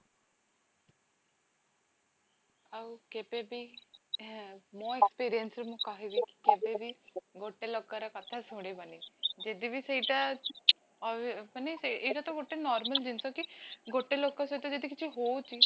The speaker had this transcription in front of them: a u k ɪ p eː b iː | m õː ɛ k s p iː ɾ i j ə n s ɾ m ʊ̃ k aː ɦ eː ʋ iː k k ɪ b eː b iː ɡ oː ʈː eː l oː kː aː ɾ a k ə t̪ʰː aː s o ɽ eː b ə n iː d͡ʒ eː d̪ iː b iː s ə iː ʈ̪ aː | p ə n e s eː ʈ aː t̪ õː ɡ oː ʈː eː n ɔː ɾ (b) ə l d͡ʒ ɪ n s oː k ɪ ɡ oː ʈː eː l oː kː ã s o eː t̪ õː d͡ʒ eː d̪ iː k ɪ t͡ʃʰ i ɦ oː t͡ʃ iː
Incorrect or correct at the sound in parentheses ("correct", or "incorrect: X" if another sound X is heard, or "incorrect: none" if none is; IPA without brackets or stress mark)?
incorrect: m